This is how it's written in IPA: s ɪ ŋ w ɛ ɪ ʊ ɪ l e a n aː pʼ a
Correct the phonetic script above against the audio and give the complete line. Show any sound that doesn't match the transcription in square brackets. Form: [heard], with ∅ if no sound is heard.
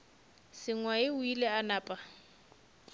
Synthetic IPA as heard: s ɪ ŋ w [a] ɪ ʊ [i] l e a n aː pʼ a